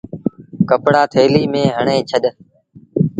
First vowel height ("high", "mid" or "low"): mid